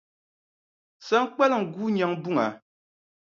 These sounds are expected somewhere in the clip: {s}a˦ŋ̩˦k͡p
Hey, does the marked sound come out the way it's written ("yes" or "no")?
yes